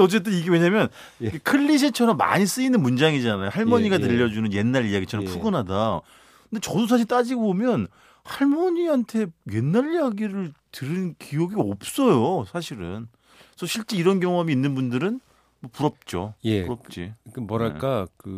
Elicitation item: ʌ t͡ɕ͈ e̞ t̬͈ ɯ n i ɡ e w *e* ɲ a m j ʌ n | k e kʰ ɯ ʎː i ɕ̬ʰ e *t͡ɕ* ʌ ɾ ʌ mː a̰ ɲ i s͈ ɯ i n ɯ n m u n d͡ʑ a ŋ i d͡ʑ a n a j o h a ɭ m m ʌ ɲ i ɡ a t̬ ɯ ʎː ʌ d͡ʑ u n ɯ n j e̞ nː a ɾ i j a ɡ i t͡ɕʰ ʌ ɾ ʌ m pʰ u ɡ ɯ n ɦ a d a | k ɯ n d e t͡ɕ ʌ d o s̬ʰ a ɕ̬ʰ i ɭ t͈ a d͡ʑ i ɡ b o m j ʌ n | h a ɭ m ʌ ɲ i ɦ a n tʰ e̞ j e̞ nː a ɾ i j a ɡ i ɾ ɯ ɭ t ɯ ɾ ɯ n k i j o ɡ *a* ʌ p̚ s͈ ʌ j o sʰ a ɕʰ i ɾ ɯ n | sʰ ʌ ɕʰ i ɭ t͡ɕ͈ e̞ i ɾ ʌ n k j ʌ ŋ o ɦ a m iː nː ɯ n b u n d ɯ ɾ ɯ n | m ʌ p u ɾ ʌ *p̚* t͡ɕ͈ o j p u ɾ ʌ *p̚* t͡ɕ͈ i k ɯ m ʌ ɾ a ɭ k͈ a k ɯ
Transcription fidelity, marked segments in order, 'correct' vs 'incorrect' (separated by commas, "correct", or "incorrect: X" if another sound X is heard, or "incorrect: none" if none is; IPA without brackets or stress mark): correct, incorrect: t͡ɕʰ, incorrect: i, correct, correct